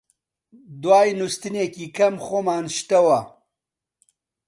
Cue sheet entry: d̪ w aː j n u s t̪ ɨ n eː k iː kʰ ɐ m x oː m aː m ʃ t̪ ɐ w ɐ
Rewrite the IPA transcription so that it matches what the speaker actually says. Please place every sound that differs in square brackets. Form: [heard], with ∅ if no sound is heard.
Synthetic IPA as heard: d̪ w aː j n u s t̪ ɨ n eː k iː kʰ ɐ m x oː m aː [n] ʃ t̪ ɐ w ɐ